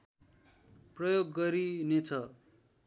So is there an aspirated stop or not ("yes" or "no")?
yes